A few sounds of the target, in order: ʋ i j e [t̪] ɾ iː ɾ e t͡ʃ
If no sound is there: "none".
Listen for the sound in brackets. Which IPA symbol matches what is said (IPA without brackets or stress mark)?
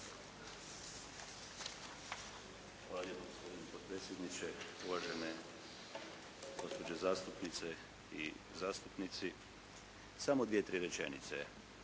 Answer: t̪